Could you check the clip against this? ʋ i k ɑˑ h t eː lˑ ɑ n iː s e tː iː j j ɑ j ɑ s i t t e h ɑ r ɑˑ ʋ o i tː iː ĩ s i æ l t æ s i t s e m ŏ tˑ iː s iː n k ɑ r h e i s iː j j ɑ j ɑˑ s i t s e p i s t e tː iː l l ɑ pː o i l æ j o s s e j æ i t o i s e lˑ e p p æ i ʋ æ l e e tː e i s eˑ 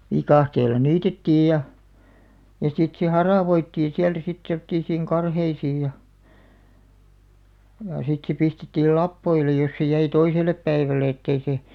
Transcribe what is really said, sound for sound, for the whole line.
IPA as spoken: ʋ i k ɑˑ h t eː lˑ ɑ n iː t e tː iː j j ɑ j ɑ s i t s e h ɑ r ɑˑ ʋ o i tː iː ĩ s i æ l t æ s i t s e m ŏ tˑ iː s iː ŋ k ɑ r h e i s iː j j ɑ j ɑˑ s i t s e p i s t e tː iː l l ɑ pː o i l e j o s s e j æ i t o i s e lˑ e p p æ i ʋ æ l e e tː e i s eˑ

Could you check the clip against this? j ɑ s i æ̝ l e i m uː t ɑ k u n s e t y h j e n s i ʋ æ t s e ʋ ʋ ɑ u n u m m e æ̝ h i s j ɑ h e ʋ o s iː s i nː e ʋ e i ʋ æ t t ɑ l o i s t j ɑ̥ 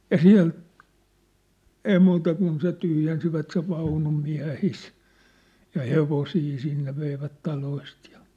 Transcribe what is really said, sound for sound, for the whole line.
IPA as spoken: j ɑ s i æ̝ l e i m uː t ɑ k u n s e t y h j e n s i ʋ æ t s e ʋ ʋ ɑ u n u m m i æ̝ h i s j ɑ h e ʋ o s iː s i nː e ʋ e i ʋ æ t t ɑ l o i s t j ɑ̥

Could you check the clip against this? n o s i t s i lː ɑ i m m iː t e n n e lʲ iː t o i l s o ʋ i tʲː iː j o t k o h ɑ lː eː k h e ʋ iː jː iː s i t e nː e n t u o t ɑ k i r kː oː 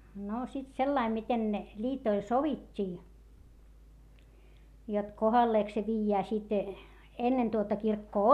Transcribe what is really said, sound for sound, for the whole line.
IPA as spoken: n o s i t s e lː ɑ i m m i t e n n e lʲ iː t o i l s o ʋ i tʲː iː j o t k o h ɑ lː eː k s e ʋ iː jː æː s i t e nː e n t u o t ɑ k i r kː oː

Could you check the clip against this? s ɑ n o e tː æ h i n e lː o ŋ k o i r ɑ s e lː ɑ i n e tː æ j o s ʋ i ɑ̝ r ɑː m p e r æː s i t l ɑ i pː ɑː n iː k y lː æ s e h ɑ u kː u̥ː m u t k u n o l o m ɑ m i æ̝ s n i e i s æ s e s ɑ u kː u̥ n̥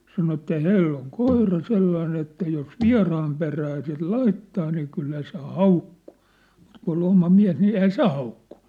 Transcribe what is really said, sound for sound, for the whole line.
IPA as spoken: s ɑ n o e tː æ h æ n e lː o ŋ k o i r ɑ s e lː ɑ i n e tː æ j o s ʋ i ɑ̝ r ɑː m p e r æː s i t l ɑ i tː ɑː n iː k y lː æ s e h ɑ u kː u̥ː m u t k u n o l o m ɑ m i æ̝ s n i e i h æ s e h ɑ u kː u̥ n̥

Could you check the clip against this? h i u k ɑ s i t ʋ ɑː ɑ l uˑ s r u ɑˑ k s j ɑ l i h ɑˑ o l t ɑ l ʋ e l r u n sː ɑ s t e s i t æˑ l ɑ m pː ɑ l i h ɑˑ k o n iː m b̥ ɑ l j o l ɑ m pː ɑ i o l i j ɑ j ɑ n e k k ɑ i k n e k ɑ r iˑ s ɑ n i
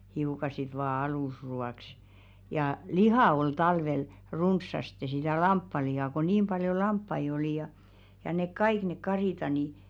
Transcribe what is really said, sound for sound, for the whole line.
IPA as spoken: h i u k ɑ s i t ʋ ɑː ɑ l uˑ s r u ɑˑ k s j ɑ l i h ɑˑ o l t ɑ l ʋ e l r u n sː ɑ s t e s i t æˑ l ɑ m pː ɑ l i h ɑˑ k o n iː m b̥ ɑ l j o l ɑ m pː ɑ i o l i j ɑ j ɑ n e k k ɑ i k n e k ɑ r iˑ t ɑ n i

